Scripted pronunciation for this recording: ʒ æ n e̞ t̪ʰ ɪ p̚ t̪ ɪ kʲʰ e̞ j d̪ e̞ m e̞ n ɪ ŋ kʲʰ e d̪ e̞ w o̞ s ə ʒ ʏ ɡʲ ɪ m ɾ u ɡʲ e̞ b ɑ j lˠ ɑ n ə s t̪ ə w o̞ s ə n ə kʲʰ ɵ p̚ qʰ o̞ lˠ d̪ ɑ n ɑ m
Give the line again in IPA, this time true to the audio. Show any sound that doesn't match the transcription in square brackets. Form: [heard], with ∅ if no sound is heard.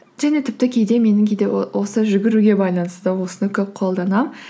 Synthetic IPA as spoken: ʒ æ n e̞ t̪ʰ ɪ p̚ t̪ ɪ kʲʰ e̞ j d̪ e̞ m e̞ n ɪ ŋ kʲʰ e d̪ e̞ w o̞ s ə ʒ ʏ ɡʲ ɪ [∅] ɾ u ɡʲ e̞ b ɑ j lˠ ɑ n ə s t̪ ə w o̞ s ə n ə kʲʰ ɵ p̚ qʰ o̞ lˠ d̪ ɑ n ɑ m

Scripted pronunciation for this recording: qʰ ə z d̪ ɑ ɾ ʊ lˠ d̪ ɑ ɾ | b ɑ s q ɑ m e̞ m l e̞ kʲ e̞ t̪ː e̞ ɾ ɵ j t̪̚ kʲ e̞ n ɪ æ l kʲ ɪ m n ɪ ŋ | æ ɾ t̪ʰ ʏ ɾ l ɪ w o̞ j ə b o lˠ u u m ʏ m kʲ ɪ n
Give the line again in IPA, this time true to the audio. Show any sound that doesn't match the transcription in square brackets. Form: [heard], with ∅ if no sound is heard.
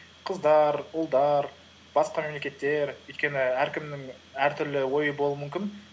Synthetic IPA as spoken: qʰ ə z d̪ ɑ ɾ ʊ lˠ d̪ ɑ ɾ | b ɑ s q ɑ m e̞ m l e̞ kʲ e̞ t̪ː e̞ ɾ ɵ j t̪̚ kʲ e̞ n ɪ æ [ɾ] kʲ ɪ m n ɪ ŋ | æ ɾ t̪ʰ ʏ ɾ l ɪ w o̞ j ə b o lˠ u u m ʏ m kʲ ɪ n

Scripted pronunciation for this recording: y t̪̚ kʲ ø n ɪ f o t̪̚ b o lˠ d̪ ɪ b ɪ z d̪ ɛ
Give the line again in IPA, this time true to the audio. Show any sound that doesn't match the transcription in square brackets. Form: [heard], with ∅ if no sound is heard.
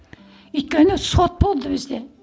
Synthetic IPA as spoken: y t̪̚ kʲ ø n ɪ [s] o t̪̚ b o lˠ d̪ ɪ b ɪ z d̪ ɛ

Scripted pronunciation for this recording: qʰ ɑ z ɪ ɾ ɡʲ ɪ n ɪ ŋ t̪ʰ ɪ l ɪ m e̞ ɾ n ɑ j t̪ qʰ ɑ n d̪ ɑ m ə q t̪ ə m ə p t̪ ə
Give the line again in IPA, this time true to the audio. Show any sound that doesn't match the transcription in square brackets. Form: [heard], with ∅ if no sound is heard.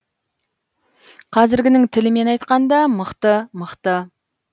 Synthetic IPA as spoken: qʰ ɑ z ɪ ɾ ɡʲ ɪ n ɪ ŋ t̪ʰ ɪ l ɪ m e̞ [∅] n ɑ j t̪ [q] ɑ n d̪ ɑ m ə q t̪ ə m ə [q] t̪ ə

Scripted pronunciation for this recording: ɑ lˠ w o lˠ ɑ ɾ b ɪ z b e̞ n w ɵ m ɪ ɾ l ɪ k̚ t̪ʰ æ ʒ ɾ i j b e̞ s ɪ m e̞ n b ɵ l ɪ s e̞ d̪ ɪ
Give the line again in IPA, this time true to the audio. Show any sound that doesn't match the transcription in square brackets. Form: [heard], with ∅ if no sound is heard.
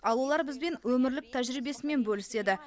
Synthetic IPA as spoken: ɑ lˠ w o lˠ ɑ ɾ b ɪ z b e̞ n w ɵ m ɪ ɾ l ɪ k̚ t̪ʰ æ ʒ ɾ i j b e̞ s ɪ m e̞ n b ɵ l ɪ s e̞ d̪ ɪ

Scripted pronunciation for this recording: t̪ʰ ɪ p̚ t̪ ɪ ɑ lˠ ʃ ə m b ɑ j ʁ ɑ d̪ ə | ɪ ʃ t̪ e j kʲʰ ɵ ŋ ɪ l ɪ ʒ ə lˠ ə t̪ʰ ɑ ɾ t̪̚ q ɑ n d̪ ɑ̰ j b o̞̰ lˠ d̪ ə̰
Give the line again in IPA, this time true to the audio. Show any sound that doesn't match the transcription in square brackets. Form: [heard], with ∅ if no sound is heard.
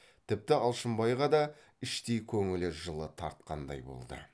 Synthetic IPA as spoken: t̪ʰ ɪ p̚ t̪ ɪ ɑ lˠ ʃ ə m b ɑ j ʁ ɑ d̪ [ɑ] | ɪ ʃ t̪ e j kʲʰ ɵ ŋ ɪ l ɪ ʒ ə lˠ ə t̪ʰ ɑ ɾ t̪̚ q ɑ n d̪ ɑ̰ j b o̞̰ lˠ d̪ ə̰

